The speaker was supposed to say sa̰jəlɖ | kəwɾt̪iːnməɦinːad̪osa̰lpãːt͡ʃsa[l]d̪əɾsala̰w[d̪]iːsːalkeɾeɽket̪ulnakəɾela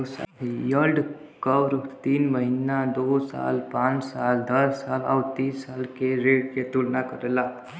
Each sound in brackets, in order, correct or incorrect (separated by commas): correct, incorrect